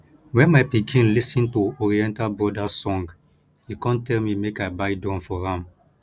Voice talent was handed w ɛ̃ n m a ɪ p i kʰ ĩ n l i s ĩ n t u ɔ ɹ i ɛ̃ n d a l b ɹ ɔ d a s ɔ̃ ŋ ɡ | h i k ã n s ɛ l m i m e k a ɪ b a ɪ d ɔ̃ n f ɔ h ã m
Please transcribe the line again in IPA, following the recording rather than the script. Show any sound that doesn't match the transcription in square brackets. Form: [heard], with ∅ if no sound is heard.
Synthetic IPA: w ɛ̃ n m a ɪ p i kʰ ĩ n l i s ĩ n t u ɔ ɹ i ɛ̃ n [t] a l b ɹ ɔ d a s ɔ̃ ŋ ɡ | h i k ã n [t] ɛ l m i m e k a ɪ b a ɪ d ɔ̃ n f ɔ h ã m